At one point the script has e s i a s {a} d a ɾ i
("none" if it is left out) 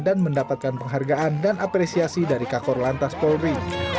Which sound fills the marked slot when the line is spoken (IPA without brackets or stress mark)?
i